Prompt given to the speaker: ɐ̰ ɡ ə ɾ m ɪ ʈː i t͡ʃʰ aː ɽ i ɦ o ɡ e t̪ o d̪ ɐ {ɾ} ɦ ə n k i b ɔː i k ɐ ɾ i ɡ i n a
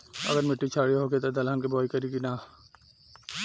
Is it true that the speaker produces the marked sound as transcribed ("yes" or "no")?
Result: no